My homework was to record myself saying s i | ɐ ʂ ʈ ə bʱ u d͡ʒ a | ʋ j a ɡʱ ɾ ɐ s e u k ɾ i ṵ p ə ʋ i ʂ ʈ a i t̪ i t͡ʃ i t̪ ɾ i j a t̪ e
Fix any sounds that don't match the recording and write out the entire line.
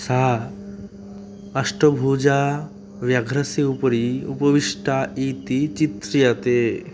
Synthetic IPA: s a | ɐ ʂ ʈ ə bʱ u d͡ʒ a | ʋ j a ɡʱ ɾ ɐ s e u p ɾ i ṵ p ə ʋ i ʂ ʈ a i t̪ i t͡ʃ i t̪ ɾ i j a t̪ e